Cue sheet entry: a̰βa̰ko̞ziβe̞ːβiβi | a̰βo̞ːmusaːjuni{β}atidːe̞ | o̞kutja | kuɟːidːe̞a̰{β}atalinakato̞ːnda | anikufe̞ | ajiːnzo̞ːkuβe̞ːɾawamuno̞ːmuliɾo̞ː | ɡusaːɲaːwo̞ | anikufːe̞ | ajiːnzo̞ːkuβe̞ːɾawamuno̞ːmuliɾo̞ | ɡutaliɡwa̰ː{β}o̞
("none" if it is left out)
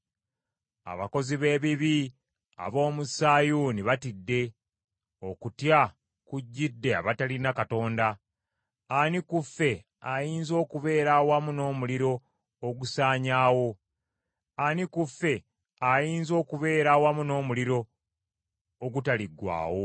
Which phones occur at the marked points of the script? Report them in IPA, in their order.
β, β, w

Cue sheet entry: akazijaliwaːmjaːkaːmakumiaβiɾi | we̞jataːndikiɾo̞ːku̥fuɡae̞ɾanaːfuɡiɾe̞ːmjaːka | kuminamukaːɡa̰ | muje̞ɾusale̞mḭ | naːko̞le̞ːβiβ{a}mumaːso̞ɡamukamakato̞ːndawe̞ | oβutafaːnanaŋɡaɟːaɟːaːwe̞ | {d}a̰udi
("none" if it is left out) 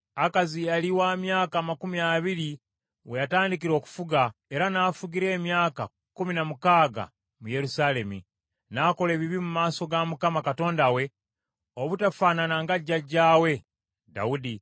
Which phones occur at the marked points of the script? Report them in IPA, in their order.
i, d

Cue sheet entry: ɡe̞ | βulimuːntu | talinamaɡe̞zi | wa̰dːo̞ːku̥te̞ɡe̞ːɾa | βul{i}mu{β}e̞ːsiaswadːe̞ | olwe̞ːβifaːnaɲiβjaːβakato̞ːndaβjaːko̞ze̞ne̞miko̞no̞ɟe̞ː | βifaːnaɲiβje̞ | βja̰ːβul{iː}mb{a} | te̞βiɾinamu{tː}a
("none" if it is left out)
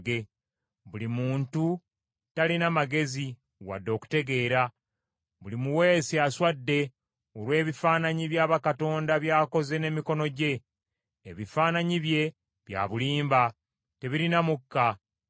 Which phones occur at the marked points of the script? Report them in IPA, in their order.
i, w, iː, a, kː

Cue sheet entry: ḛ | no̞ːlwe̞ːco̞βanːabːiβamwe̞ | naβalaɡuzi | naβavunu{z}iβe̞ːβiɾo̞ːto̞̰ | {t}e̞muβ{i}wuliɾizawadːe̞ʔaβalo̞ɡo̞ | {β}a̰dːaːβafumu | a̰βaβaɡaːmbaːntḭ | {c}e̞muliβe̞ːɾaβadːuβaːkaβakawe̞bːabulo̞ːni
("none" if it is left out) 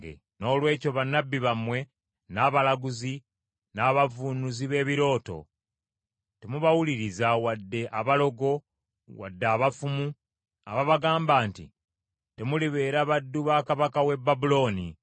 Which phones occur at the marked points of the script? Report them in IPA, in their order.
z, t, a, w, t

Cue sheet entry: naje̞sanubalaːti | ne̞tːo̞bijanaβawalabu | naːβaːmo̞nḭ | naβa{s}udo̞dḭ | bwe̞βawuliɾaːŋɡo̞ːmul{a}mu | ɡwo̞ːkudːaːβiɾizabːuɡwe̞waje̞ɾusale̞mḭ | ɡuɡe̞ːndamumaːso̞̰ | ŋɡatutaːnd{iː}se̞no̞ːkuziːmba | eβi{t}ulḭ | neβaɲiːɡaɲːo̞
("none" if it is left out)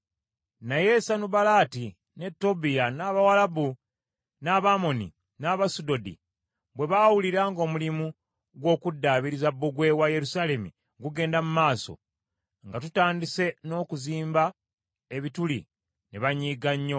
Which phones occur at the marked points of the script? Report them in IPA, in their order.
s, i, i, t

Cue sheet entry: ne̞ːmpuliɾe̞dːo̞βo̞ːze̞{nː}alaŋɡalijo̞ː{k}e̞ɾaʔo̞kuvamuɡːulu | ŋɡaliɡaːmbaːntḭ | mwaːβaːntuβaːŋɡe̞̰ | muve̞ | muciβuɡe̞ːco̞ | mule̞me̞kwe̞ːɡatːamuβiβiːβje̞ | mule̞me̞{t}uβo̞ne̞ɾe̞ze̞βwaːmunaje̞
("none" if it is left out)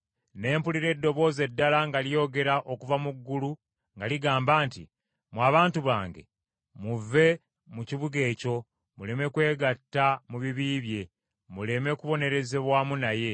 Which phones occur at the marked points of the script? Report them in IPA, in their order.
dː, ɡ, k

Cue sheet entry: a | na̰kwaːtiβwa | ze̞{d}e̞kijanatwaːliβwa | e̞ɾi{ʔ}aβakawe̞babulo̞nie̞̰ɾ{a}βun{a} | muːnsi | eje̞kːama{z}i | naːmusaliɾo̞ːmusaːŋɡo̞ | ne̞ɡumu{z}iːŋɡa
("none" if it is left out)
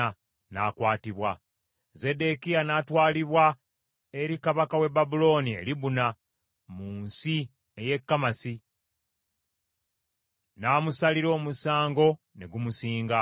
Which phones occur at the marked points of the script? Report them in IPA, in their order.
d, k, i, a, s, s

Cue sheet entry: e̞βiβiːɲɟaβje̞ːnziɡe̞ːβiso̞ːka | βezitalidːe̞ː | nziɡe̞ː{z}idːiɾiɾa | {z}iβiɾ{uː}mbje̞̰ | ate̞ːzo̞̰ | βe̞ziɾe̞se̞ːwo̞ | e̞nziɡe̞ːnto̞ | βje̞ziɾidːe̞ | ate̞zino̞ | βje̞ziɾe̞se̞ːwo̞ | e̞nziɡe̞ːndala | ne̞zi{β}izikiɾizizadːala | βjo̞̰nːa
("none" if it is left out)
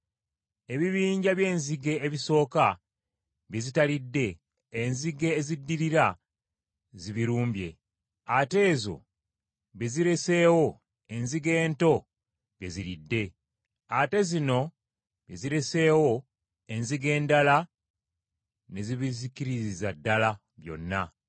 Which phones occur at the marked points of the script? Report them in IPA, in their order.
z, z, uː, β

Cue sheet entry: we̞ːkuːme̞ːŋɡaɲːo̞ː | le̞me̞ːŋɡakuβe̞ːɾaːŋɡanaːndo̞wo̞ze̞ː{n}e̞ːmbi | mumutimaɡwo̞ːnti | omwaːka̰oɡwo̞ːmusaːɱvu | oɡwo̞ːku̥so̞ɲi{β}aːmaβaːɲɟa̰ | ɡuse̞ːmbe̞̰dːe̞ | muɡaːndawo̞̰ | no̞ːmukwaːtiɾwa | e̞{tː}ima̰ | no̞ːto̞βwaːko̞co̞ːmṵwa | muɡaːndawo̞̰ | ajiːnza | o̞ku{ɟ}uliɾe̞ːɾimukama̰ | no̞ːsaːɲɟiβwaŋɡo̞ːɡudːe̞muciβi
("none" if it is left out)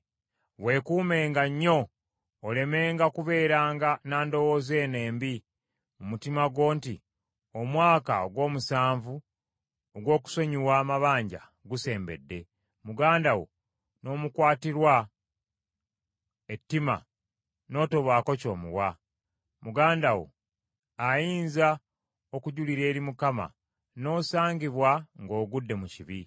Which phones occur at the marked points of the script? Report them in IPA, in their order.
n, w, tː, ɟ

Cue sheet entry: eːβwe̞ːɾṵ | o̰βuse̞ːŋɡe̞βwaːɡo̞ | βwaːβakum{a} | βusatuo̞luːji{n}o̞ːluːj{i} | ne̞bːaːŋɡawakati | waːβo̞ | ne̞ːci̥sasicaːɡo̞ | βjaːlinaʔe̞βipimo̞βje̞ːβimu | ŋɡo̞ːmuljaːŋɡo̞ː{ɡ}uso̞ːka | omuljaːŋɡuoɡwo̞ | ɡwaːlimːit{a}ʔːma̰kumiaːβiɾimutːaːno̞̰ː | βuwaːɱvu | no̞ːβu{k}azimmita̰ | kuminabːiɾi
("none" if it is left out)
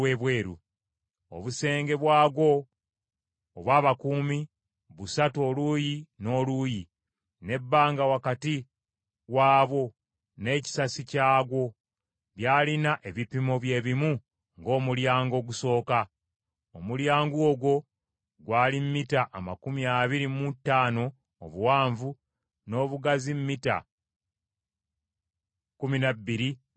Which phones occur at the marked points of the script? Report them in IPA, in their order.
i, n, i, ɡ, a, ɡ

